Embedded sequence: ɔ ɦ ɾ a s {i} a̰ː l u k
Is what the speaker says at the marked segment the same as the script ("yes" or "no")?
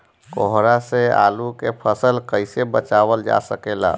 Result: no